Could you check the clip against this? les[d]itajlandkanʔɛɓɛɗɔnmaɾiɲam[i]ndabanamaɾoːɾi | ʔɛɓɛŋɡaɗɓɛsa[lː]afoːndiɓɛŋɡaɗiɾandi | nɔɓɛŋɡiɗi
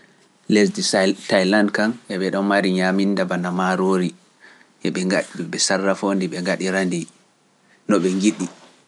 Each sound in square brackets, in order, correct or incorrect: correct, correct, incorrect: rː

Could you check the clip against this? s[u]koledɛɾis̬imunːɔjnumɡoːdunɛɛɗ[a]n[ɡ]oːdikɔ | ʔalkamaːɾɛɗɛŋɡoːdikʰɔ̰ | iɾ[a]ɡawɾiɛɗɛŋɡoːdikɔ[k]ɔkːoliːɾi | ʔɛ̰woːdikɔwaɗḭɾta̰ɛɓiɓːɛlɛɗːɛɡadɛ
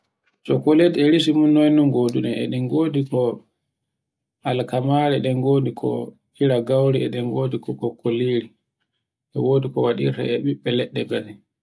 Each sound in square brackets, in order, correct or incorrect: incorrect: ɔ, incorrect: ɛ, correct, correct, correct

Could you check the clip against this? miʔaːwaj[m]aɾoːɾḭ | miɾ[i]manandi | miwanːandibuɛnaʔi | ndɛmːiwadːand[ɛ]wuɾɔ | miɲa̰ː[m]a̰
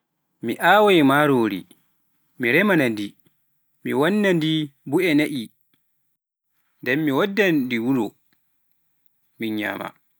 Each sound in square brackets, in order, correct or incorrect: correct, incorrect: ɛ, incorrect: i, correct

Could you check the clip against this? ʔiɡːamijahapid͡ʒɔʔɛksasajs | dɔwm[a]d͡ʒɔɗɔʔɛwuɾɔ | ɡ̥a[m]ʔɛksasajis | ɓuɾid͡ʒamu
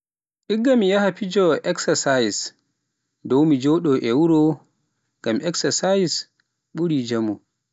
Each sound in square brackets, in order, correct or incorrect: incorrect: i, correct

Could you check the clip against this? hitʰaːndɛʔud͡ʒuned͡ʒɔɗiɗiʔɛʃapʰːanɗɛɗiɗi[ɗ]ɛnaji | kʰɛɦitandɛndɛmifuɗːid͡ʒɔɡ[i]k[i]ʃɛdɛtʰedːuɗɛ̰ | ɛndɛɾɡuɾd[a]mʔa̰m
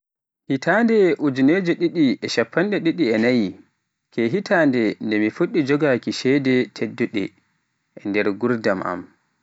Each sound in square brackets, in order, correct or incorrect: incorrect: none, incorrect: a, correct, correct

